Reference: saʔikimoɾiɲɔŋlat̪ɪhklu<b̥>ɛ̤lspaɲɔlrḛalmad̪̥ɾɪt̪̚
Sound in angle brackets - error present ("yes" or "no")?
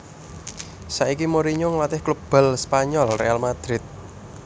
no